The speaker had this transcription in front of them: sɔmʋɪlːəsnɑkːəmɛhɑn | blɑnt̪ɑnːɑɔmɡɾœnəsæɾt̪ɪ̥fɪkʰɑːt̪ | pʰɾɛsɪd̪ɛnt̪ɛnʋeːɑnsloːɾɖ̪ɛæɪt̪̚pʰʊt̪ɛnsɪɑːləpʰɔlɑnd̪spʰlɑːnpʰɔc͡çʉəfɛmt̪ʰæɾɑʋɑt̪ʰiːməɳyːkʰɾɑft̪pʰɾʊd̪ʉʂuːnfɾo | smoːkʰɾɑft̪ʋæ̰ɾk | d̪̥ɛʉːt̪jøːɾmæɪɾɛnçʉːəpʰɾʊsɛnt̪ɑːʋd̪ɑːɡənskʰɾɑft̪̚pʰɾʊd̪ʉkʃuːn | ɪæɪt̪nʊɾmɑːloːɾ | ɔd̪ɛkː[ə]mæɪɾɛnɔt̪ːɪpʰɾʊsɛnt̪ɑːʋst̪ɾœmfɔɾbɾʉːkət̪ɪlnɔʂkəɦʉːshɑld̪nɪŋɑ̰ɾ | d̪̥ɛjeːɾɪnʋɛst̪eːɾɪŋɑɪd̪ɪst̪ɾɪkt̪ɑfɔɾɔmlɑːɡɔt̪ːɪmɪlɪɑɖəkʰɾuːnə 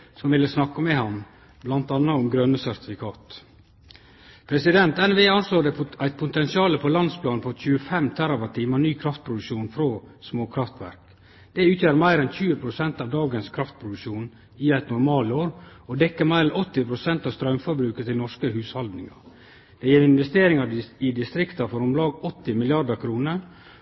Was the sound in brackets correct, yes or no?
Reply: yes